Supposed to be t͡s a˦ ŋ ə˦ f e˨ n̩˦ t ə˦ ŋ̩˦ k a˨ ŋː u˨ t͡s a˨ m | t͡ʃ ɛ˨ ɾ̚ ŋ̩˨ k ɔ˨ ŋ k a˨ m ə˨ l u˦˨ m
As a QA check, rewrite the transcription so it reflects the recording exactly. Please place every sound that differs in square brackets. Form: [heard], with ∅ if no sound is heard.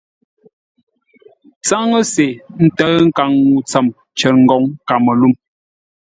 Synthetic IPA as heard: t͡s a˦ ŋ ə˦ [s] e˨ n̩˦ t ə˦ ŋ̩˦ k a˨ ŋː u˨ t͡s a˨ m | t͡ʃ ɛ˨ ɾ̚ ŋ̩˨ [ɡ] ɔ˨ ŋ k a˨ m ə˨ l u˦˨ m